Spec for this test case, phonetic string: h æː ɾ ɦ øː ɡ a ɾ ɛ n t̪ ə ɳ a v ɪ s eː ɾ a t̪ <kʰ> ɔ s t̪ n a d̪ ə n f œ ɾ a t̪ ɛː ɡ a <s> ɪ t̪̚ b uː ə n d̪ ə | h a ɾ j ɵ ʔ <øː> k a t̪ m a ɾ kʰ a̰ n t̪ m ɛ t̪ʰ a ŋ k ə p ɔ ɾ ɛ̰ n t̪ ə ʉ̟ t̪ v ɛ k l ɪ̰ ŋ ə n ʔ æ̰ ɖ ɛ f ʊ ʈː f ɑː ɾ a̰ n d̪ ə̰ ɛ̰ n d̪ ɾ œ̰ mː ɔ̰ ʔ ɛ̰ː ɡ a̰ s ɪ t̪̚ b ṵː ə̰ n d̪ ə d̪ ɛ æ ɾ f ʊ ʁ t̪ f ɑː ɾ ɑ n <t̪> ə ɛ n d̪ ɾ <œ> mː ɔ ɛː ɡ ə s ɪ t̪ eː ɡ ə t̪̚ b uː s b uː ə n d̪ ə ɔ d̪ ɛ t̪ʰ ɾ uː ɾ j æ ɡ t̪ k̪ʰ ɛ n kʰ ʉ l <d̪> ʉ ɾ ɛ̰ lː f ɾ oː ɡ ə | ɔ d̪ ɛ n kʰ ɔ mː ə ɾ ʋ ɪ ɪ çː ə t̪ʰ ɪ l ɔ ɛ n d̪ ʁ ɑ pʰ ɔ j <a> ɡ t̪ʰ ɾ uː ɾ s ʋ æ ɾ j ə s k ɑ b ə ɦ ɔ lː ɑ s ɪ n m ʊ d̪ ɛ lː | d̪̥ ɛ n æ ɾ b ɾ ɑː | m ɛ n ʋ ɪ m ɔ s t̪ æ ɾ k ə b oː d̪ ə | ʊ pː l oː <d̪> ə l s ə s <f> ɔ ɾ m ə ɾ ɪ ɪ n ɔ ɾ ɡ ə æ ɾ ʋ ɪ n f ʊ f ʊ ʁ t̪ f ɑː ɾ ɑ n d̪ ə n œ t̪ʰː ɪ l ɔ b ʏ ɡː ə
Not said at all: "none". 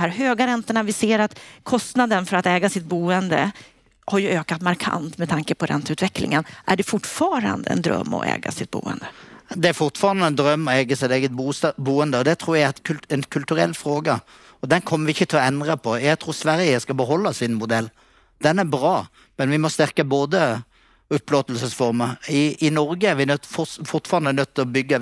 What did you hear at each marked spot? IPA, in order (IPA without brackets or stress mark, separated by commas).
kʰ, s, øː, d̪, œ, t̪, æ, t̪, f